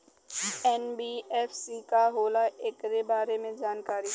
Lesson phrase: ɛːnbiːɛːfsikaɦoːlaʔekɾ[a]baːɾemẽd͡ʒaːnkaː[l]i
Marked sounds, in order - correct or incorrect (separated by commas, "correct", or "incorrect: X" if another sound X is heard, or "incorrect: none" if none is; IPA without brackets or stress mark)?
incorrect: e, incorrect: ɾ